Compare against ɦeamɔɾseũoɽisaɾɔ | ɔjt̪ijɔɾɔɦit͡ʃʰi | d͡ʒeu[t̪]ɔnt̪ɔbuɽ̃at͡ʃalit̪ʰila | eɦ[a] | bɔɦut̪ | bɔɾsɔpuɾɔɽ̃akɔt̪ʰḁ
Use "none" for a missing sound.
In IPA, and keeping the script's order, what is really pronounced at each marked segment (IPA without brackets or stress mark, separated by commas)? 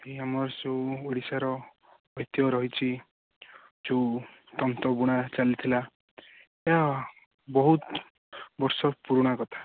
t̪, a